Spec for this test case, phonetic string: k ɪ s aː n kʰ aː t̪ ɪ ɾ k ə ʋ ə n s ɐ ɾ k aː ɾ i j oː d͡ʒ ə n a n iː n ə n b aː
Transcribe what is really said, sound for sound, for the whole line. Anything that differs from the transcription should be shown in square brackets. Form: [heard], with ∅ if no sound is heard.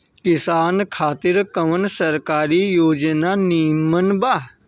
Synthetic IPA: k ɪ s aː n kʰ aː t̪ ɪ ɾ k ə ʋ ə n s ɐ ɾ k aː ɾ i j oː d͡ʒ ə n a n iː [m] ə n b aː